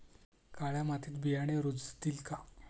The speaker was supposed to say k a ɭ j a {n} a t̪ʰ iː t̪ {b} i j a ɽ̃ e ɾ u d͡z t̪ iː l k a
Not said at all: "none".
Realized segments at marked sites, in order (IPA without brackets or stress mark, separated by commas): m, b